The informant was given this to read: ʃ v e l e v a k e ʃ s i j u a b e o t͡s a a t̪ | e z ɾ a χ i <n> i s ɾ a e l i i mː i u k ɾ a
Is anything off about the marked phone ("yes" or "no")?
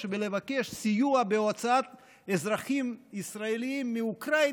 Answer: yes